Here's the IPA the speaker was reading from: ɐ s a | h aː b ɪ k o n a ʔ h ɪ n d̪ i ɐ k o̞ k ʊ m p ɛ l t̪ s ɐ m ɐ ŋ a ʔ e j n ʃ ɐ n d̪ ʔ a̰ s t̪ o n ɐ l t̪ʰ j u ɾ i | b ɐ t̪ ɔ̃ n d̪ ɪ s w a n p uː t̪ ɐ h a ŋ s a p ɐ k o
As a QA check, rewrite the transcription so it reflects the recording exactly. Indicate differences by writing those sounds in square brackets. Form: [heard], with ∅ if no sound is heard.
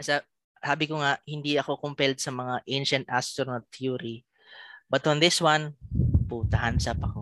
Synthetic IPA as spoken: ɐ s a | [s] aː b ɪ k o [ŋ] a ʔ h ɪ n d̪ i ɐ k o̞ k ʊ m p ɛ l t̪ s ɐ m ɐ ŋ a ʔ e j n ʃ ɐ n [t̪] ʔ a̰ s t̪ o n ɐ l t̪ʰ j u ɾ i | b ɐ t̪ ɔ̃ n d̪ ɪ s w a n p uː t̪ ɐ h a [n] s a p ɐ k o